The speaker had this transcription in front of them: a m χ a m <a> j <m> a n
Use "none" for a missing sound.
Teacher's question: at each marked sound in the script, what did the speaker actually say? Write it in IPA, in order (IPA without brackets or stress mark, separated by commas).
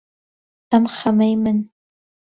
a, m